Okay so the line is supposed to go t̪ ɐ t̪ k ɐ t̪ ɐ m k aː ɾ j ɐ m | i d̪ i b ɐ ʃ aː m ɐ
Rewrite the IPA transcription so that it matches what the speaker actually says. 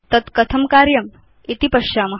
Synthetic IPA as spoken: t̪ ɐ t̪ k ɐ t̪ʰ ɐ m k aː ɾ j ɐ m | i t̪ i p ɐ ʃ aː m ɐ